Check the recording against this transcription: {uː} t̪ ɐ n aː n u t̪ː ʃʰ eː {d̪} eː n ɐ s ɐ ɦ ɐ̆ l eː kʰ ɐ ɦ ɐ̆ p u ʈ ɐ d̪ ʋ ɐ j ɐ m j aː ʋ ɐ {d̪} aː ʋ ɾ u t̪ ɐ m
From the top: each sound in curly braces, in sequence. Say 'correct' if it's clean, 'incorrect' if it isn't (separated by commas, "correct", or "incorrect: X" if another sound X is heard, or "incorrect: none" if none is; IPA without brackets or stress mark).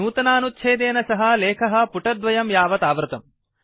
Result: correct, correct, incorrect: t̪